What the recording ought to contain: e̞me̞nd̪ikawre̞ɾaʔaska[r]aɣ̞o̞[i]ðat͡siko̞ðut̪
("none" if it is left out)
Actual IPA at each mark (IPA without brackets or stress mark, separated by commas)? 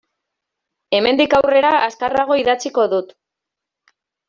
r, i